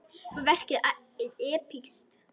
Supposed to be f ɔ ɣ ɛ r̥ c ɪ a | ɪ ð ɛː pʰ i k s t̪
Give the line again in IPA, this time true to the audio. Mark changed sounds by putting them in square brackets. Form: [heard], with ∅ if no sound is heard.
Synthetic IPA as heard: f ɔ [v] ɛ r̥ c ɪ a | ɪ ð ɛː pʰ i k s t̪